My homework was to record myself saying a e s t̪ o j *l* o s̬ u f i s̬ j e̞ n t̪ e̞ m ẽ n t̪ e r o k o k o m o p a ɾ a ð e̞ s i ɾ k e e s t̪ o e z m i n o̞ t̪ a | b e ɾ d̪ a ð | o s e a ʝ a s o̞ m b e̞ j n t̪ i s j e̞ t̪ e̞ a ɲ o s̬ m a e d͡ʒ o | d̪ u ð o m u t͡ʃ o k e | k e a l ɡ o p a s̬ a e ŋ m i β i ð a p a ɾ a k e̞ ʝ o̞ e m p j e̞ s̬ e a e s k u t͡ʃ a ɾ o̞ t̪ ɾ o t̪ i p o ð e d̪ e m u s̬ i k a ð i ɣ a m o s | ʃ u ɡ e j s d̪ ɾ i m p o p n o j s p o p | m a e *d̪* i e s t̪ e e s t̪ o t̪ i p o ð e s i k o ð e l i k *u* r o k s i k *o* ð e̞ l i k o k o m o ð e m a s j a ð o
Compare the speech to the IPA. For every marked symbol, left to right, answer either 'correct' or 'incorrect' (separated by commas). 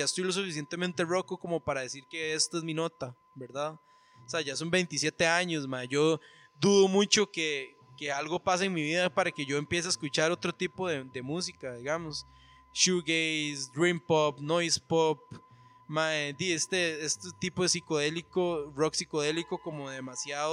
correct, correct, incorrect, correct